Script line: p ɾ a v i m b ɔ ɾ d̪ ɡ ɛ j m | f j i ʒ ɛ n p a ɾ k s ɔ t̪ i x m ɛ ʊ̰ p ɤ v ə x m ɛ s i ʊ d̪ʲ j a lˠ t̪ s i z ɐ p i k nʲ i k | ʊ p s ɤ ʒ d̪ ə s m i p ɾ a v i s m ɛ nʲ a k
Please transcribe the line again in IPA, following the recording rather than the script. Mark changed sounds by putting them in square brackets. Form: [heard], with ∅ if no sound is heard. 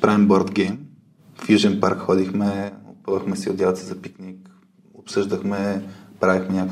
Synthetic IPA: p ɾ a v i m b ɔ ɾ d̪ ɡ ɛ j m | f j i ʒ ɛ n p a ɾ k [x] ɔ [d̪] i x m ɛ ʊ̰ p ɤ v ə x m ɛ s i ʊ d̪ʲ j a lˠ t̪ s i z ɐ p i k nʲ i k | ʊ p s ɤ ʒ d̪ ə [x] m [ɛ] p ɾ a v i [x] m ɛ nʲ a k